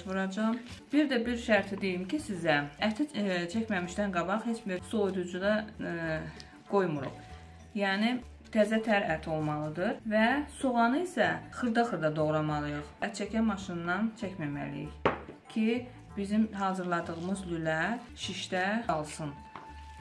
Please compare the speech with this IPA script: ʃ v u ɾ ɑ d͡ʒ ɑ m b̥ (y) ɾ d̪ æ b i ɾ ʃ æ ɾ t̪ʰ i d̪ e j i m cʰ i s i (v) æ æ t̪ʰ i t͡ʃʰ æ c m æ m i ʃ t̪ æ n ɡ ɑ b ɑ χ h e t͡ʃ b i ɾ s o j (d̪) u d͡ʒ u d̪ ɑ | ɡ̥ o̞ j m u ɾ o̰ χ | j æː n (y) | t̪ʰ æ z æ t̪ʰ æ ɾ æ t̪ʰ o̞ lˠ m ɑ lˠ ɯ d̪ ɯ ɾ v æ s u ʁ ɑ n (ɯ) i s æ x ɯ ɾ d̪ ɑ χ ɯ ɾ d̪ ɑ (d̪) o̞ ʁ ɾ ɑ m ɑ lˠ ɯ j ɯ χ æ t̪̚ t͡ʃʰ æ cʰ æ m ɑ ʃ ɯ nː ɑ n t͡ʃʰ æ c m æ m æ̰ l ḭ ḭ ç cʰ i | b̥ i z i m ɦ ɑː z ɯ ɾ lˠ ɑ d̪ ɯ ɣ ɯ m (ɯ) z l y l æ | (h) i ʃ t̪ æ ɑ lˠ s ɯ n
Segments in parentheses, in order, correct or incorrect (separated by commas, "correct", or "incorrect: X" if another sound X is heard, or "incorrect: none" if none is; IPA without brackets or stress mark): incorrect: i, incorrect: z, correct, incorrect: i, correct, correct, correct, incorrect: ʃ